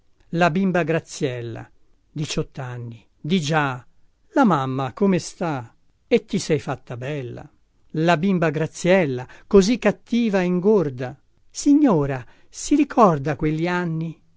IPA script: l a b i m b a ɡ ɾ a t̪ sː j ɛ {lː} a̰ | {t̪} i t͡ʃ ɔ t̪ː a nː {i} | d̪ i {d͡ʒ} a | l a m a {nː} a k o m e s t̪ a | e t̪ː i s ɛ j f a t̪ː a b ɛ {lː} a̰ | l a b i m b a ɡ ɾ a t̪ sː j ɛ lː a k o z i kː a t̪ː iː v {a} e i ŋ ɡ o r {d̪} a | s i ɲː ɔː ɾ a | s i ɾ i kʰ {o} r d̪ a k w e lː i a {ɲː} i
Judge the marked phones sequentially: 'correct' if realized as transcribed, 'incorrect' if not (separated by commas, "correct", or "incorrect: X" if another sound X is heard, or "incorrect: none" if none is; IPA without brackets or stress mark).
correct, incorrect: d̪, correct, correct, incorrect: mː, correct, correct, correct, incorrect: ɔ, incorrect: nː